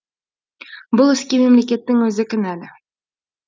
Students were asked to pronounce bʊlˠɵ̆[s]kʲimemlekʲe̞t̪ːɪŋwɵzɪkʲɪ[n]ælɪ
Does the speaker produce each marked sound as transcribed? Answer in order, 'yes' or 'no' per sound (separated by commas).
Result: yes, yes